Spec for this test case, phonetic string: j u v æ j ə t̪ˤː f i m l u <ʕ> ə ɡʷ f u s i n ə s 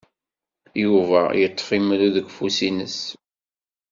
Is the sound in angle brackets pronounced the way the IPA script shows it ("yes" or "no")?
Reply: no